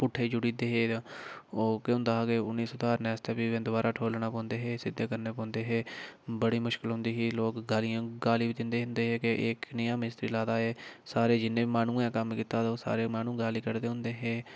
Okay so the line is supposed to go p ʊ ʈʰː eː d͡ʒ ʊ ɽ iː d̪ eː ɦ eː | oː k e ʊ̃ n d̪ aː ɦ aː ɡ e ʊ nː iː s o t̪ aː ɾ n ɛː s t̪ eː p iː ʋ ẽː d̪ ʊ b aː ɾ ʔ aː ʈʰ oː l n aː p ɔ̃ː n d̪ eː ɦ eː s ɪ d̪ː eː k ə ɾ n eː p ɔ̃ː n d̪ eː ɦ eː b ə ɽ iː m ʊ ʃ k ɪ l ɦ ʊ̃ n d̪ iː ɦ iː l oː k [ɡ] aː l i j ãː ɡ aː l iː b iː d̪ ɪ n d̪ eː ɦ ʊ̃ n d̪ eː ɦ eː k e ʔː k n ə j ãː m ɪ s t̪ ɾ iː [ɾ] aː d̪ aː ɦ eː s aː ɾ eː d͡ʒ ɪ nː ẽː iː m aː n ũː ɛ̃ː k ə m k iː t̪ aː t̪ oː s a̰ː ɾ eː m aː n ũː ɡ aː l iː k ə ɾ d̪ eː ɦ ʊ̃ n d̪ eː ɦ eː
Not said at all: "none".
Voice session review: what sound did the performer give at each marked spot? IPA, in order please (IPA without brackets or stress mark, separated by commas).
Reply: ɡ, l